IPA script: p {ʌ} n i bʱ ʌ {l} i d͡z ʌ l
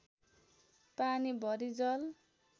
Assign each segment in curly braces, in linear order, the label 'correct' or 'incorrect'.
incorrect: a, incorrect: ɾ

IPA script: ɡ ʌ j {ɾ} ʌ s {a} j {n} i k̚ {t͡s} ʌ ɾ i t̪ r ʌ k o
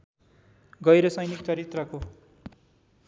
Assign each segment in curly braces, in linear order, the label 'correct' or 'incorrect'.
correct, incorrect: ʌ, correct, correct

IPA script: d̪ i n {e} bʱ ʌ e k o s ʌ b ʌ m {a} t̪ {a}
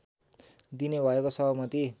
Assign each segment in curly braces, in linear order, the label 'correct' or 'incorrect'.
correct, incorrect: ʌ, incorrect: i

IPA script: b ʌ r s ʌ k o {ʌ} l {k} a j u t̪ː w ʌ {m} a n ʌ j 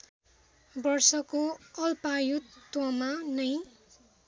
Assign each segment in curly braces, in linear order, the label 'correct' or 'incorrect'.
correct, incorrect: p, correct

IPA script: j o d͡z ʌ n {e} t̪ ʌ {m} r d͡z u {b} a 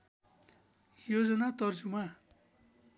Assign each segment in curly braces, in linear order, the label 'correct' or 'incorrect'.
incorrect: a, incorrect: none, incorrect: m

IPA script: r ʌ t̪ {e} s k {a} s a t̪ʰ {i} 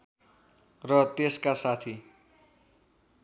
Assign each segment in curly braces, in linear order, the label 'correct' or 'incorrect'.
correct, correct, correct

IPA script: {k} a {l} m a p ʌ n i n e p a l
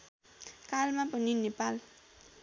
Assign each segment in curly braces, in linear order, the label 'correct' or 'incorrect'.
correct, correct

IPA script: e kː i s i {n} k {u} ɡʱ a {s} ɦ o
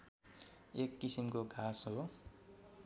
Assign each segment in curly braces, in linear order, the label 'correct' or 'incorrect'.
incorrect: m, incorrect: o, correct

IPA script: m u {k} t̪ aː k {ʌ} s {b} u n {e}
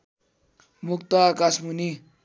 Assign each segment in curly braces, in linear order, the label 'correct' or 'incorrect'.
correct, incorrect: a, incorrect: m, incorrect: i

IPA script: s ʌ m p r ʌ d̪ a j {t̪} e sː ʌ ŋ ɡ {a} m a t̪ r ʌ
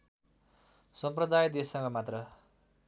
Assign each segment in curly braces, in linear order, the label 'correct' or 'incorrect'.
incorrect: d̪, incorrect: ʌ

